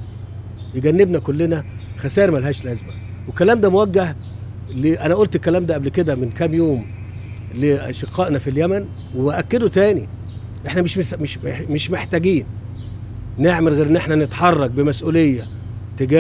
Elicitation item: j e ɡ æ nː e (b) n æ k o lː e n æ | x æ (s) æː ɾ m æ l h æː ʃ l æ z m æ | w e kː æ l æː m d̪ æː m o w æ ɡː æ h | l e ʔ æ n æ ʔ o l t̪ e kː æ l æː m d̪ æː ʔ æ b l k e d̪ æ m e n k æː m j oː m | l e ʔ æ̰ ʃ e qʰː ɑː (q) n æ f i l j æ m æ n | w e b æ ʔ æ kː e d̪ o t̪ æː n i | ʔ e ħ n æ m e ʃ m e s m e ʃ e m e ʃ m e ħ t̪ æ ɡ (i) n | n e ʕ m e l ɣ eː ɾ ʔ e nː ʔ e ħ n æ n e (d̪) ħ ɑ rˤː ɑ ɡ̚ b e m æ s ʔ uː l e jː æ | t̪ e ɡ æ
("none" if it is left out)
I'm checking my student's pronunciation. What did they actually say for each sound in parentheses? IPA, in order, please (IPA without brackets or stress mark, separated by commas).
b, s, ʔ, iː, t̪